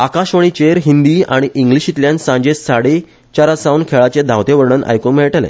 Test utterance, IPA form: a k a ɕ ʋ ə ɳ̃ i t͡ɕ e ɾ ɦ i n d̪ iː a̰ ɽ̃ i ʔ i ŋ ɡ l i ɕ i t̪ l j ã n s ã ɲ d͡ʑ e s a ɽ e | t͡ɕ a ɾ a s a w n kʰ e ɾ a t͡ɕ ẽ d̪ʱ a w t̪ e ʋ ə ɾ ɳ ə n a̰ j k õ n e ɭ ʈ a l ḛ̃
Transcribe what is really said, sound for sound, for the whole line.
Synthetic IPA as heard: a k a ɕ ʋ ə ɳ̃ i t͡ɕ e ɾ ɦ i n d̪ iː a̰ ɽ̃ i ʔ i ŋ ɡ l i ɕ i t̪ l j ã n s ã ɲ d͡ʑ e s a ɽ e | t͡ɕ a ɾ a s a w n kʰ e ɭ a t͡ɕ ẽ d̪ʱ a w t̪ e ʋ ə ɾ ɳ ə n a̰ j k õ m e ɭ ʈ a l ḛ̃